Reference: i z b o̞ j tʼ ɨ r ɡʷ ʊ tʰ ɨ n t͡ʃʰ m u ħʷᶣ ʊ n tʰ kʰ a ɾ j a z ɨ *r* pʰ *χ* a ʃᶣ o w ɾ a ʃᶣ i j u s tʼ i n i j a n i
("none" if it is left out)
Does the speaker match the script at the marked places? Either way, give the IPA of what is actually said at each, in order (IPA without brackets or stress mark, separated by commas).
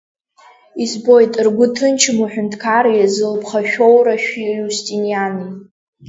l, χ